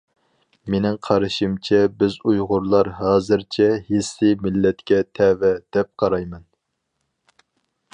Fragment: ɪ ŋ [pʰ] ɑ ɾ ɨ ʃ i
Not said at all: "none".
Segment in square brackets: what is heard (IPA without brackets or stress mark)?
qʰ